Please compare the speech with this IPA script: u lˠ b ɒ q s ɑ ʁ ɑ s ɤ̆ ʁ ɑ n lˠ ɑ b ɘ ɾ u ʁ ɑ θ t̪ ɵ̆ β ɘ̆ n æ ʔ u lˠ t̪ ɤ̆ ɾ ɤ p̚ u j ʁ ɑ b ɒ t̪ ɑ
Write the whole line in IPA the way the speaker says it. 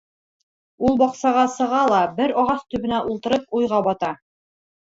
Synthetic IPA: u lˠ b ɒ q s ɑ ʁ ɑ s ɤ̆ ʁ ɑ lˠ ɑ b ɘ ɾ ɒ ʁ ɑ θ t̪ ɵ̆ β ɘ̆ n æ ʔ u lˠ t̪ ɤ̆ ɾ ɤ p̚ u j ʁ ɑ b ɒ t̪ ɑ

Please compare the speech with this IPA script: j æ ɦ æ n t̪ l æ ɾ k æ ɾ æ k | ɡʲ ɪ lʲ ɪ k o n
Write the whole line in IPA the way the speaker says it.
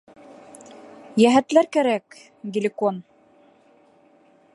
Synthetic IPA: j æ ɦ æ t̪ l æ ɾ k æ ɾ æ k | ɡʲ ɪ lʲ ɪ k o n

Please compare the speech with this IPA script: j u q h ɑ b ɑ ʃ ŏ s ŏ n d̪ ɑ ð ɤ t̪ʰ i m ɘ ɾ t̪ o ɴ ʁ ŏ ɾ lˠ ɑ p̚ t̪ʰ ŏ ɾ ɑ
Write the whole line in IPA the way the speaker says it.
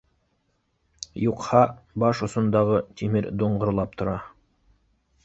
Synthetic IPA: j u q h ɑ b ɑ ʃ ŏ s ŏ n d̪ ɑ ʁ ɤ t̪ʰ i m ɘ ɾ d̪ o ɴ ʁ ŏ ɾ lˠ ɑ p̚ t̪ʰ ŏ ɾ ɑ

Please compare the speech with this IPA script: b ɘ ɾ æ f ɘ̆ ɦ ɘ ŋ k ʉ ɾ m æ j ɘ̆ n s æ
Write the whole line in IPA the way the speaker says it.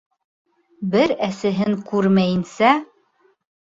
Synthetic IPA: b ɘ ɾ æ s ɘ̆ ɦ ɘ ŋ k ʉ ɾ m æ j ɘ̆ n s æ

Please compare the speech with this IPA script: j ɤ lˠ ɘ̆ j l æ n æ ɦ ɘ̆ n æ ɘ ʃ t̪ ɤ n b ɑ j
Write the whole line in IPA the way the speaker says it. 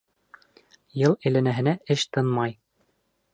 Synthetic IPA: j ɤ lˠ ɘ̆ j l æ n æ ɦ ɘ̆ n æ ɘ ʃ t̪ ɤ n m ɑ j

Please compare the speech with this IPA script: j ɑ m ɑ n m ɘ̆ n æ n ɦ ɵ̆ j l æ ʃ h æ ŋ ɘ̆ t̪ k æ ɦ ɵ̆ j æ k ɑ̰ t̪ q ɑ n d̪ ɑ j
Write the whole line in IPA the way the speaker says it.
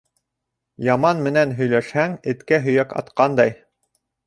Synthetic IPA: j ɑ m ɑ n m ɘ̆ n æ n ɦ ɵ̆ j l æ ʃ h æ ŋ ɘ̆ t̪ k æ ɦ ɵ̆ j æ k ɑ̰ t̪ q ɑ n d̪ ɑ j

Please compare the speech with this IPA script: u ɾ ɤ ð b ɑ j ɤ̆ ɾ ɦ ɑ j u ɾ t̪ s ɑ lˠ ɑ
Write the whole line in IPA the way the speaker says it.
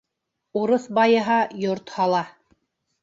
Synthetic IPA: u ɾ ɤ θ b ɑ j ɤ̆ ɦ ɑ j o ɾ t̪ h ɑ lˠ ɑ

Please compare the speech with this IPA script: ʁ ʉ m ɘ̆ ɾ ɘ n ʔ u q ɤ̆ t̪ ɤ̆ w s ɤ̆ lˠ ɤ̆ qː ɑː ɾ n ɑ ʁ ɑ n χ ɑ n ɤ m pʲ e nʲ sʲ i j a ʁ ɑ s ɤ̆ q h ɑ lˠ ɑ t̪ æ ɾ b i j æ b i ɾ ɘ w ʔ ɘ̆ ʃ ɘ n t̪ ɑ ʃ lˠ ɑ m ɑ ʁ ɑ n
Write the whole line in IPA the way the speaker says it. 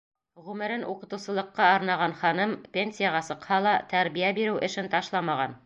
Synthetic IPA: ʁ ʉ m ɘ̆ ɾ ɘ n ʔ u q ɤ̆ t̪ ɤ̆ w s ɤ̆ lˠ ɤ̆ qː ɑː ɾ n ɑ ʁ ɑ n χ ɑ n ɤ m pʲ e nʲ sʲ i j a ʁ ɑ s ɤ̆ q h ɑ lˠ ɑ t̪ æ ɾ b i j æ b i ɾ ɘ w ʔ ɘ̆ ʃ ɘ n t̪ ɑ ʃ lˠ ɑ m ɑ ʁ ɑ n

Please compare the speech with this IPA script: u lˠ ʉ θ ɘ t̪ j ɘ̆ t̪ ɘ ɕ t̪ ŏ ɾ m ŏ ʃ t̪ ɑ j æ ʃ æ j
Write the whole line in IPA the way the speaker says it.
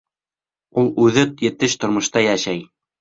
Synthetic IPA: u lˠ ʉ ð ɘ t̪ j ɘ̆ t̪ ɘ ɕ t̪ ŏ ɾ m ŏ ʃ t̪ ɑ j æ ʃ æ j

